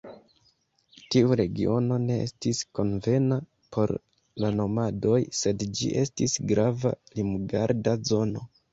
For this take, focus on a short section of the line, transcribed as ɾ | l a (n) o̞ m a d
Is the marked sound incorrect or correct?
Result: correct